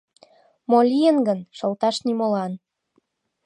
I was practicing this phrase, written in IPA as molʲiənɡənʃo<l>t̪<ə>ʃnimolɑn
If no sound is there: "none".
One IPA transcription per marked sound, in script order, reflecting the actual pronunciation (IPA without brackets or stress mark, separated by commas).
l, ɑ